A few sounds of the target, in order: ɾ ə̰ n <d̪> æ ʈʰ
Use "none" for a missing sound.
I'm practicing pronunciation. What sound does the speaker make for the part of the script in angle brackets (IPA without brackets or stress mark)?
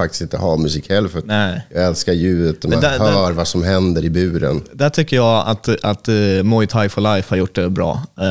d̪